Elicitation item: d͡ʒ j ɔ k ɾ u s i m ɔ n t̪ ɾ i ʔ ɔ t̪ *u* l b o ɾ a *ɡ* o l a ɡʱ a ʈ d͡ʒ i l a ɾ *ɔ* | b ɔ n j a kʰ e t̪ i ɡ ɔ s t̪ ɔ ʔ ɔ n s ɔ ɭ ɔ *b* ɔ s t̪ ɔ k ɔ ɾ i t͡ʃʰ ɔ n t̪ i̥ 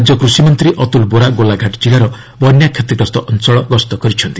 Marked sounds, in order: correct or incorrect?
correct, correct, correct, incorrect: ɡ

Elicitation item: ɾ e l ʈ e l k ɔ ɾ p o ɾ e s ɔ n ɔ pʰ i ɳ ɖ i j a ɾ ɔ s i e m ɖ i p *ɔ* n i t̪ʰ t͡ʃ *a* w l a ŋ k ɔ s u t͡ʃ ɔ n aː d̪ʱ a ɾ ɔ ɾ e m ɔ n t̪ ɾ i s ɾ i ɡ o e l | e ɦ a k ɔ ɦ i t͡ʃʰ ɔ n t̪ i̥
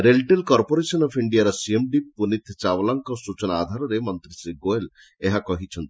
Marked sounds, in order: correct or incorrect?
incorrect: u, correct

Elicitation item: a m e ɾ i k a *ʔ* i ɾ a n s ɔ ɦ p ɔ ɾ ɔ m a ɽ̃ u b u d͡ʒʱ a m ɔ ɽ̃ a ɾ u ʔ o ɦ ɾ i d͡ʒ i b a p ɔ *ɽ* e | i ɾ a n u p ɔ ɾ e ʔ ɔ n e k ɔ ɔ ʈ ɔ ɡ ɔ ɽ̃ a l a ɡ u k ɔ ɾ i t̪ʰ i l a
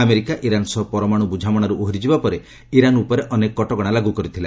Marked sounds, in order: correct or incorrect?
correct, incorrect: ɾ

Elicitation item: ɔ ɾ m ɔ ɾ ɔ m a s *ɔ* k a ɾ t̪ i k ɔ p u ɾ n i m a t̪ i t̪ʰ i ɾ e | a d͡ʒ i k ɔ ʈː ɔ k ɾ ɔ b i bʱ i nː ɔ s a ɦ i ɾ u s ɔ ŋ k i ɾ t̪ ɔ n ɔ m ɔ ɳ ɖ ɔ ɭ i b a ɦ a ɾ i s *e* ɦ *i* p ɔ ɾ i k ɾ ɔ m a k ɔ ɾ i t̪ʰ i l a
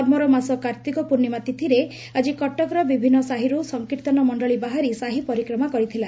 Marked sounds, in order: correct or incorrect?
correct, incorrect: a, correct

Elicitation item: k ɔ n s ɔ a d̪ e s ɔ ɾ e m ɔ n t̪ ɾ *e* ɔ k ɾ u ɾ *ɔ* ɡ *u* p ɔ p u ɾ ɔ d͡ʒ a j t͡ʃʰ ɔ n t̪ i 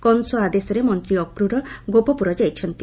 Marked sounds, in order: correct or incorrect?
incorrect: i, correct, incorrect: o

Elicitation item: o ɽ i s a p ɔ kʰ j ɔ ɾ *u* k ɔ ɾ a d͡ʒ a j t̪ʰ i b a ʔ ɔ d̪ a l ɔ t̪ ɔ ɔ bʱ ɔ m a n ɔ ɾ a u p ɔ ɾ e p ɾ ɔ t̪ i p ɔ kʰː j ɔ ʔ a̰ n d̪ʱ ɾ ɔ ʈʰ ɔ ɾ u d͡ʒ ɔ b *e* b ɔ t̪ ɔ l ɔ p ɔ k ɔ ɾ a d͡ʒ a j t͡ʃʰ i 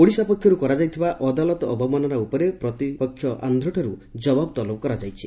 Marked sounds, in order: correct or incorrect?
correct, incorrect: a

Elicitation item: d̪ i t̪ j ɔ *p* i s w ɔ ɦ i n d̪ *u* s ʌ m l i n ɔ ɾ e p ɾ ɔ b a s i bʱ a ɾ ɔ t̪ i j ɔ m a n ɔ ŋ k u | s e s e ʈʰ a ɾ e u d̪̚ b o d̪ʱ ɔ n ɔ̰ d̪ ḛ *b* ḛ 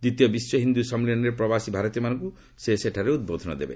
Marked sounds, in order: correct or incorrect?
incorrect: b, correct, correct

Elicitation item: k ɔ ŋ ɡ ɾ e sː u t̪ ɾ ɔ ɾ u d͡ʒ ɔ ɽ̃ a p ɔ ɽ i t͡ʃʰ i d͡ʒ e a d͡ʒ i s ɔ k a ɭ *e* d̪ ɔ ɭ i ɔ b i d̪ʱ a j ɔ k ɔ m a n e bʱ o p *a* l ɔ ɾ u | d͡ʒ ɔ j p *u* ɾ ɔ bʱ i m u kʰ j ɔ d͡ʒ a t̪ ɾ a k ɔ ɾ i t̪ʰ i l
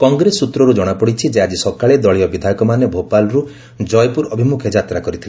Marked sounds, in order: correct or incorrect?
correct, correct, correct

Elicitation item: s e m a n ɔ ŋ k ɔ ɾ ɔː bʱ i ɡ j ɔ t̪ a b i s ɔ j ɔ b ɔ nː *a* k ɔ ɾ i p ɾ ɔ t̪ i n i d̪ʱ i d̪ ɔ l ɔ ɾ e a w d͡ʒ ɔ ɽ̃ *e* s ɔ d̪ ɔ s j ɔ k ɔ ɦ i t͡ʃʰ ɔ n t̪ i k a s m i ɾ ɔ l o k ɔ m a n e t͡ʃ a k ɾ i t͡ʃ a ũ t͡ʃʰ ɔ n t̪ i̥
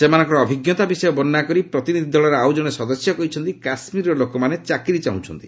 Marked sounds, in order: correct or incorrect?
correct, correct

